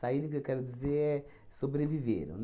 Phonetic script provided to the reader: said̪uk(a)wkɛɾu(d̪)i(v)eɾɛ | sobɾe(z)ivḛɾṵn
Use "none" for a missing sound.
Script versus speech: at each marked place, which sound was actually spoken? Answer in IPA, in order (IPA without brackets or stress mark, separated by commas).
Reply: e, d̪, z, v